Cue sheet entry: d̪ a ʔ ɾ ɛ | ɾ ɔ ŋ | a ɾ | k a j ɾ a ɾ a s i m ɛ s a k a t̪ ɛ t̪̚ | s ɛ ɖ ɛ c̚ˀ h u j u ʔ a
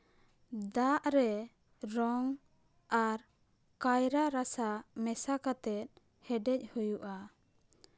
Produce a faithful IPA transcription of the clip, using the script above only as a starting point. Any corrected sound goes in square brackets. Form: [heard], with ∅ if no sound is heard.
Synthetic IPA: d̪ a ʔ ɾ ɛ | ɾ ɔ ŋ | a ɾ | k a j ɾ a ɾ a s [a] m ɛ s a k a t̪ ɛ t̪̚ | [h] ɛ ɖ ɛ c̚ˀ h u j u ʔ a